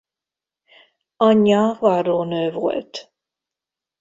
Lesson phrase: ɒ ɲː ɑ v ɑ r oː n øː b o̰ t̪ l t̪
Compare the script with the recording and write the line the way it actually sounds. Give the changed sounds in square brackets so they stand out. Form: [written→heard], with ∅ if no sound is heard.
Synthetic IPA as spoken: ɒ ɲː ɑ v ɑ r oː n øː [b→v] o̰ [t̪→∅] l t̪